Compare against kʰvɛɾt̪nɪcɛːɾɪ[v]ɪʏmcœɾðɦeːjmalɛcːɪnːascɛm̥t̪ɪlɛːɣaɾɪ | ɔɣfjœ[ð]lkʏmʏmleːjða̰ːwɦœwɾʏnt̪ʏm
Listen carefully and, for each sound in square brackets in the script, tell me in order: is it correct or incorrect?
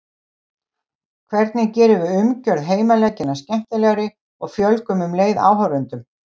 correct, incorrect: none

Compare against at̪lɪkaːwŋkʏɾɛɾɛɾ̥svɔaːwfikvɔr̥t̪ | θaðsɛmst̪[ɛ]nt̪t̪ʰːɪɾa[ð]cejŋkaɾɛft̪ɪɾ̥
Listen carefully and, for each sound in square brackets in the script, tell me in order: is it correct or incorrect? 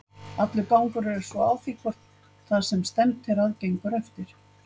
correct, correct

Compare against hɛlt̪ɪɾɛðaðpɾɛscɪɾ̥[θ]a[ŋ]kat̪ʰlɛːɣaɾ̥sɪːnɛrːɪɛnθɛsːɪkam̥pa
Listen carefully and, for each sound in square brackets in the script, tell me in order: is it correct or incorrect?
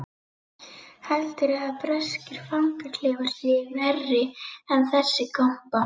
incorrect: f, correct

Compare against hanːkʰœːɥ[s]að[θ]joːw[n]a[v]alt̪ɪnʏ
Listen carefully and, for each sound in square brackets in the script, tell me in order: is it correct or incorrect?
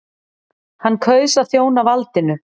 correct, correct, correct, correct

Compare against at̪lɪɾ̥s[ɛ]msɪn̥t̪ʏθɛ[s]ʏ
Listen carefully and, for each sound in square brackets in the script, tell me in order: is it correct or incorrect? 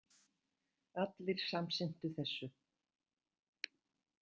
incorrect: a, incorrect: sː

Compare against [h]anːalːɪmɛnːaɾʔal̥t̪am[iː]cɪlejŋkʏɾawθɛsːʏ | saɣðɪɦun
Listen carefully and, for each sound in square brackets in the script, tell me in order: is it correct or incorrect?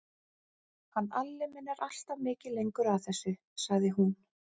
correct, incorrect: ɪː

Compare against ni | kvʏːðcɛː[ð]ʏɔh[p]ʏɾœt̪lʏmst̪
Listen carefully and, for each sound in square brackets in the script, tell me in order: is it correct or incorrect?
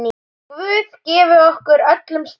incorrect: v, incorrect: k

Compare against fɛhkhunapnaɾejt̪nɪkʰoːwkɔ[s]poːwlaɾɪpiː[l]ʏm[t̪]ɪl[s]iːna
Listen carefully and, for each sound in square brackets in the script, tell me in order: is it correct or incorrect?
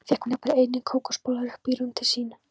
correct, incorrect: ɾ, incorrect: t̪ʰ, correct

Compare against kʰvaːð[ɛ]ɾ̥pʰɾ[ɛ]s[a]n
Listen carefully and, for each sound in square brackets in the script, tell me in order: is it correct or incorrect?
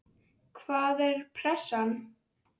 correct, correct, correct

